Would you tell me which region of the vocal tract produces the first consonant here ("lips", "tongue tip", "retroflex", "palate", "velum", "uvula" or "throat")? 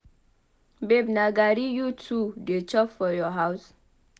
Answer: lips